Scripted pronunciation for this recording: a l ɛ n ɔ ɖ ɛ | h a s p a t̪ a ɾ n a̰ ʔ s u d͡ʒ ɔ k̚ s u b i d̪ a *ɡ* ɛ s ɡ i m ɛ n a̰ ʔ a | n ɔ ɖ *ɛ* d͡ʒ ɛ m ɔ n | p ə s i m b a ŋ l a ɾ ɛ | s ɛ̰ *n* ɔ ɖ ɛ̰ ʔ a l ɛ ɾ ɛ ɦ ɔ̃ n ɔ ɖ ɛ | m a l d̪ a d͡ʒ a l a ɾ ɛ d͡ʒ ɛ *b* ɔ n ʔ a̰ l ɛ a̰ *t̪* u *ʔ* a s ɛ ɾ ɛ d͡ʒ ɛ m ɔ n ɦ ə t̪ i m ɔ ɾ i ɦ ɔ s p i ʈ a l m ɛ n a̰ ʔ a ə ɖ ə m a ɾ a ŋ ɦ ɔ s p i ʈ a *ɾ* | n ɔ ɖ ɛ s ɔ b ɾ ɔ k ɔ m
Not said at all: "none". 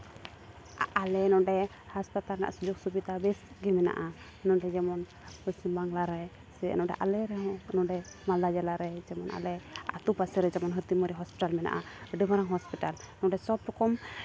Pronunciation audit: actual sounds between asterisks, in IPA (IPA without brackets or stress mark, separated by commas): b, ɛ, n, m, t̪, p, l